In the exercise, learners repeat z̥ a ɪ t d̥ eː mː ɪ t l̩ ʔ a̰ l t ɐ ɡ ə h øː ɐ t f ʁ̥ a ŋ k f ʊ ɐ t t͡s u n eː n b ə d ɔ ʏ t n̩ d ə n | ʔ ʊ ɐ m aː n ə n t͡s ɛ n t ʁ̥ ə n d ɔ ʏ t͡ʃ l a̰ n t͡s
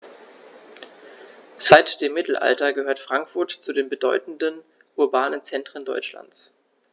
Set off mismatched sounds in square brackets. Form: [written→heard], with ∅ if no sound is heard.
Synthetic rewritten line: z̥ a ɪ t d̥ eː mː ɪ t l̩ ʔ a̰ l t ɐ ɡ ə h øː ɐ t f ʁ̥ a ŋ k f ʊ ɐ t t͡s u [n→d] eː n b ə d ɔ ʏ t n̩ d ə n | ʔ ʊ ɐ [m→b] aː n ə n t͡s ɛ n t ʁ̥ ə n d ɔ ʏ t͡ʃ l a̰ n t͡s